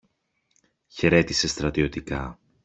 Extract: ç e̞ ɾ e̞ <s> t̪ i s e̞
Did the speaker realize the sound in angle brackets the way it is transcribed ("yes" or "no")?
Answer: no